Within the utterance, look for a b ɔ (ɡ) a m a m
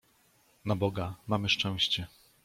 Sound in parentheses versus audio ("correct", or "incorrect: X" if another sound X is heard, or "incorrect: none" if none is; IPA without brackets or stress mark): correct